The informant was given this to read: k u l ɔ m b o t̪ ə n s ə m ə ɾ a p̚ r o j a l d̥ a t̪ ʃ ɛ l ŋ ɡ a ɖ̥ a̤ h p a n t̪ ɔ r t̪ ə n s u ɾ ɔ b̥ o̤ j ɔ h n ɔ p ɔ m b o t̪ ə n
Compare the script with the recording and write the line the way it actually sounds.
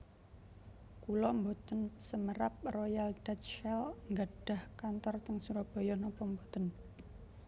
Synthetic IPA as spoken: k u l ɔ m b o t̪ ə n s ə m ə ɾ a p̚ r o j a l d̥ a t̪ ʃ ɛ l ŋ ɡ a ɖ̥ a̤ h k a n t̪ ɔ r t̪ ə ŋ s u ɾ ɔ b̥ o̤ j ɔ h n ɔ p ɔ m b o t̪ ə n